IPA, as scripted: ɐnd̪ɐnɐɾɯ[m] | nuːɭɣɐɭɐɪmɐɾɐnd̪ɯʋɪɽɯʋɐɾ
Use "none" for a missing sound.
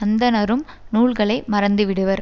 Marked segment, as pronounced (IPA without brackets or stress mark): m